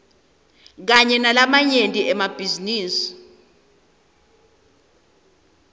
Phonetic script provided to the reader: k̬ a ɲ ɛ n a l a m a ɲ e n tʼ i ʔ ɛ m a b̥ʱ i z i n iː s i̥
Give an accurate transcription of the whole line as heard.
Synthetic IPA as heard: k̬ a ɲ ɛ n a l a m a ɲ e n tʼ i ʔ ɛ m a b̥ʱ i z i n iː s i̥